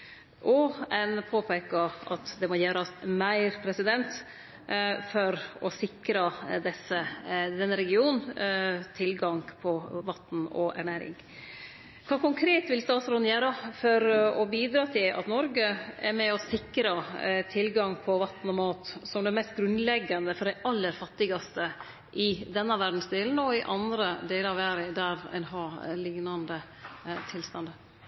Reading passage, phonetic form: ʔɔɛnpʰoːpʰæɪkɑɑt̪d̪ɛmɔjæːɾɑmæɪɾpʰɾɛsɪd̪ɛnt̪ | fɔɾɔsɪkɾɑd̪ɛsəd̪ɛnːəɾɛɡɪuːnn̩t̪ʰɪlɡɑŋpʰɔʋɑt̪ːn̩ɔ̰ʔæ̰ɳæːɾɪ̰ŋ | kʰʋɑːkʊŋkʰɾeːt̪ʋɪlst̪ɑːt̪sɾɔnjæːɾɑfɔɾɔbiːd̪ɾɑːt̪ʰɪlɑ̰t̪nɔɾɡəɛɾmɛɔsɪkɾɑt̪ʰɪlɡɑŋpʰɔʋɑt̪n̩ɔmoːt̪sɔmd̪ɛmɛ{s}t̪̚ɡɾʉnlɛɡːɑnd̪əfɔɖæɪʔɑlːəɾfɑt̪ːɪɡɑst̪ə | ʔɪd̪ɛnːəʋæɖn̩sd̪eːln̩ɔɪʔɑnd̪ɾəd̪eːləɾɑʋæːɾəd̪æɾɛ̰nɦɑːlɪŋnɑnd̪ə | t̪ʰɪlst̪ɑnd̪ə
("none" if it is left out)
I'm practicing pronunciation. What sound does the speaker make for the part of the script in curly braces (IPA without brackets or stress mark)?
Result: s